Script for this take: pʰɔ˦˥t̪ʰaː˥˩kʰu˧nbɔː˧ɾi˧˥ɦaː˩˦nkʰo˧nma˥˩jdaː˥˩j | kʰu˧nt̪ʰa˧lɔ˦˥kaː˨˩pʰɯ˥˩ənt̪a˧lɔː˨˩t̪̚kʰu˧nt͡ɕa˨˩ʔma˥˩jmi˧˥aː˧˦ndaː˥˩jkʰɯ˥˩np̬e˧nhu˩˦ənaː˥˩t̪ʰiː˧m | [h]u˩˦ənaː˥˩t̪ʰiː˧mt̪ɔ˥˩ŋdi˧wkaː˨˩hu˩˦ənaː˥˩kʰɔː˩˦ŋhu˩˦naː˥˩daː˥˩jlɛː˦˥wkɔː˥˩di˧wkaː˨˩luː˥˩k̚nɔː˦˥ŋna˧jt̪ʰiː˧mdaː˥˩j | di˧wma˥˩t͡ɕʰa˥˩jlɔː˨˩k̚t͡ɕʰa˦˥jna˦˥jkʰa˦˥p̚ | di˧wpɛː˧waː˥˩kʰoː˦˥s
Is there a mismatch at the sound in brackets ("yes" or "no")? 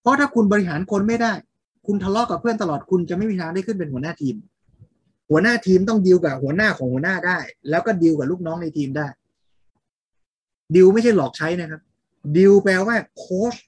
no